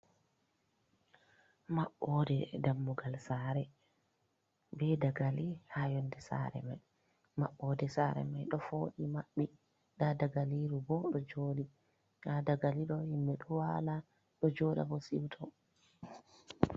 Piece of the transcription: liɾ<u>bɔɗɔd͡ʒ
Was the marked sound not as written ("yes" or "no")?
no